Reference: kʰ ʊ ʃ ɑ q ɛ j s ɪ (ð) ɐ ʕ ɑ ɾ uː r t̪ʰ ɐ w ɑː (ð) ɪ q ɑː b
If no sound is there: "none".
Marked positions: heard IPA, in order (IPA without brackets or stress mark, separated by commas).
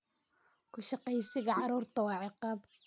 ɣ, ʕ